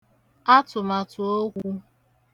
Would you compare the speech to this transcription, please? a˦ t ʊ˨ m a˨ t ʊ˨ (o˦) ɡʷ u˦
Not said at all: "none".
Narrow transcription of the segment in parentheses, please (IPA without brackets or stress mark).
o˦